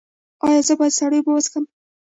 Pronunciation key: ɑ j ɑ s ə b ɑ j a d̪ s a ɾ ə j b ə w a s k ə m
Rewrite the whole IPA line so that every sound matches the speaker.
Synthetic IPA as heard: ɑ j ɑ z ə b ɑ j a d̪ s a ɽ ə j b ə w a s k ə m